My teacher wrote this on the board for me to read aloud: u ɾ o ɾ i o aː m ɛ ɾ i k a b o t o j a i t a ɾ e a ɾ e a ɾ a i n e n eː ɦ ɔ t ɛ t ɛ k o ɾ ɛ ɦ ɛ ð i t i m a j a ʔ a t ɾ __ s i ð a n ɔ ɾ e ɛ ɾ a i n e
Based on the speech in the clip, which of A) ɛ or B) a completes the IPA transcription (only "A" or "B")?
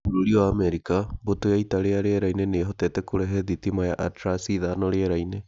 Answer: B